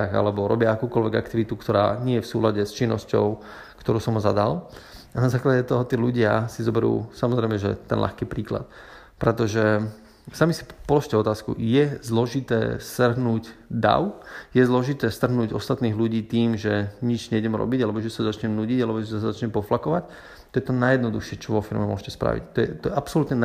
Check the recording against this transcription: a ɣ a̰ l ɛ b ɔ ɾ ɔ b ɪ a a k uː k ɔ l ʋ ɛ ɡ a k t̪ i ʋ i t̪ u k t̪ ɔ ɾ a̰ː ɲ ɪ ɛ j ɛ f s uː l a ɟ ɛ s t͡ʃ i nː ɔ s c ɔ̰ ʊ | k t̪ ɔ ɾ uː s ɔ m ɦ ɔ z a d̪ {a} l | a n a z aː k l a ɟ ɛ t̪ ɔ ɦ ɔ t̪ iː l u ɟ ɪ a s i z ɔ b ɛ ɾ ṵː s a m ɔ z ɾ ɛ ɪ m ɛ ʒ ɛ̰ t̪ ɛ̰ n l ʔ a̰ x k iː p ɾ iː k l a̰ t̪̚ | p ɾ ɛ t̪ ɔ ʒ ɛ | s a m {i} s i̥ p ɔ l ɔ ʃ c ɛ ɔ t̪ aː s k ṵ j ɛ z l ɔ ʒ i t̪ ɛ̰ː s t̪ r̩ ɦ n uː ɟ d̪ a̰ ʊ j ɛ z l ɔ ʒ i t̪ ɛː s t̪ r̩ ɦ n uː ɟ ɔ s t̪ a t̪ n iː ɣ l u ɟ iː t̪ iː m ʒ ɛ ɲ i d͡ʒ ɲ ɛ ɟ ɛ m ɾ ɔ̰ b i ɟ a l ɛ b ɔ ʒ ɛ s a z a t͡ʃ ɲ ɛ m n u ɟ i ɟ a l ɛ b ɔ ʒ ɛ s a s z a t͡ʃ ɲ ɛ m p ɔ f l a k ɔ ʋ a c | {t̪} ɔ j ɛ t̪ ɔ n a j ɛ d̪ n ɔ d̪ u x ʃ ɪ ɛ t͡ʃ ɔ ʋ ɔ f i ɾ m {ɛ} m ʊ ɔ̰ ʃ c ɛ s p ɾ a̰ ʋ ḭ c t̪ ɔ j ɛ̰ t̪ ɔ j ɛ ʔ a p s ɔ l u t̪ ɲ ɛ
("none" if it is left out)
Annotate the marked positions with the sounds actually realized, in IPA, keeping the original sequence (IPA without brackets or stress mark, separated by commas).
a, i, t̪, ɛ